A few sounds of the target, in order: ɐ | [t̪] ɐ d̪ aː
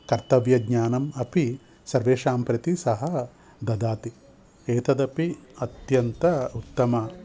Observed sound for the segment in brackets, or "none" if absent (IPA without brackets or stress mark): d̪